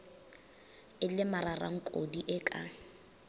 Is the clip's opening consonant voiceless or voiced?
voiced